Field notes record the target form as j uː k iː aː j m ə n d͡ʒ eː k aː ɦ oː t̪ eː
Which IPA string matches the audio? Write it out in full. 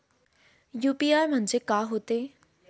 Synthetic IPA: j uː p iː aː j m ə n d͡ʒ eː k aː ɦ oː t̪ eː